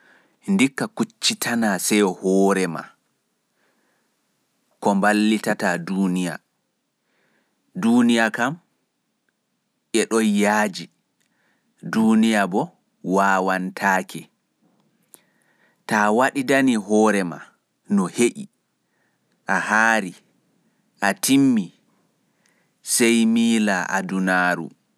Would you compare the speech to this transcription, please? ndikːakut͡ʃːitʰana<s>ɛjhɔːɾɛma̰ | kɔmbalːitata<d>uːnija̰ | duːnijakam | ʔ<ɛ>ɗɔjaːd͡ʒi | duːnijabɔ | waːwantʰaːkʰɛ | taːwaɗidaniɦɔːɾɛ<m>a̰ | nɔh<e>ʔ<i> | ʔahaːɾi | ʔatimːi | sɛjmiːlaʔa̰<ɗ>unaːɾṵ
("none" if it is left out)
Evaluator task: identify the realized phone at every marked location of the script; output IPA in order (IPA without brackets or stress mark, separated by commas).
s, d, ɛ, m, e, i, d